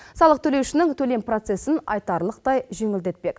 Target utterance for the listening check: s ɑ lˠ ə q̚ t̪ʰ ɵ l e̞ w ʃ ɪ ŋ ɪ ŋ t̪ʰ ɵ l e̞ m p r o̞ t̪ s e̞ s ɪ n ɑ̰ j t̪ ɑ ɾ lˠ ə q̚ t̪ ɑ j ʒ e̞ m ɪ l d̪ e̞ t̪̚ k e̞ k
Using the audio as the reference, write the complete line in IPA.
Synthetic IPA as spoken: s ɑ lˠ ə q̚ t̪ʰ ɵ l e̞ w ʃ ɪ n ɪ ŋ t̪ʰ ɵ l e̞ m p r o̞ t̪ s e̞ s ɪ n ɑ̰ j t̪ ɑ ɾ lˠ ə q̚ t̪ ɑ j ʒ e̞ ŋ ɪ l d̪ e̞ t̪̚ p e̞ k